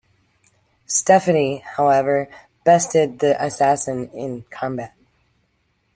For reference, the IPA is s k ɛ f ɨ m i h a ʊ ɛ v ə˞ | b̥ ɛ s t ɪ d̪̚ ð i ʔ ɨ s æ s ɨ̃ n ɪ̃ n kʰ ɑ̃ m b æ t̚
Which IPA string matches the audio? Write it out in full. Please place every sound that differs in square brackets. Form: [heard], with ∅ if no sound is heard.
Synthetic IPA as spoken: s [t] ɛ f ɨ [n] i h a ʊ ɛ v ə˞ | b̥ ɛ s t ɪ d̪̚ ð i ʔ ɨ s æ s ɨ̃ n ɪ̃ n kʰ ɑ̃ m b æ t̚